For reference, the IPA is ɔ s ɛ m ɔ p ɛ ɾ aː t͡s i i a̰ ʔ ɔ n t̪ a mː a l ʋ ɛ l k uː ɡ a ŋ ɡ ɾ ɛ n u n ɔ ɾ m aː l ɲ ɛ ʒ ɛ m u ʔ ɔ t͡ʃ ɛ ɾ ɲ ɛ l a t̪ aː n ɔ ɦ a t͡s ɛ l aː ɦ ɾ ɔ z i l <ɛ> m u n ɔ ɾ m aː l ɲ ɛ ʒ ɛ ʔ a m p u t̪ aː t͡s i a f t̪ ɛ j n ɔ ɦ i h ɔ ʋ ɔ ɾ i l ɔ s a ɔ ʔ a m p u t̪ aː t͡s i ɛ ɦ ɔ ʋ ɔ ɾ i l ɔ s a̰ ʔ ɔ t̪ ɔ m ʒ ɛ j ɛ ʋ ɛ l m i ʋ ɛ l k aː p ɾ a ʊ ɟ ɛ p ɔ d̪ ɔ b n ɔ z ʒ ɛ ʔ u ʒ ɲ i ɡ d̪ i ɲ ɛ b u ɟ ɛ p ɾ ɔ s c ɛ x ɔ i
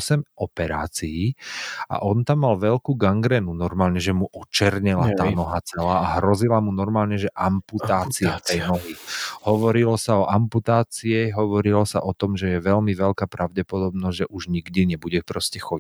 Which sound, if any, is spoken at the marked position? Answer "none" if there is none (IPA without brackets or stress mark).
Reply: a